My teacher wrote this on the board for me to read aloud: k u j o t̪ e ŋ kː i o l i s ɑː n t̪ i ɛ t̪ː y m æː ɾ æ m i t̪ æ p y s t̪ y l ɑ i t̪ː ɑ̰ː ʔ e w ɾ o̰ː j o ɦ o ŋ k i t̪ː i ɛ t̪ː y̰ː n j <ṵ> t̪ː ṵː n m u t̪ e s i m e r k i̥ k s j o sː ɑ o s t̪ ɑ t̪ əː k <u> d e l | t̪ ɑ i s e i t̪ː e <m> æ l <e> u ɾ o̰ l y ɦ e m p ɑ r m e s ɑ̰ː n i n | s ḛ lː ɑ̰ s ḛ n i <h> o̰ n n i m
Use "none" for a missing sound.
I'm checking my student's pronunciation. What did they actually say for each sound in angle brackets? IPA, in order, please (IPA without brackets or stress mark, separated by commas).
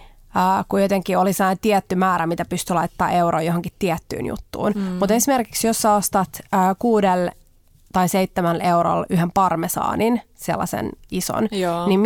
ṵ, uː, m, e, s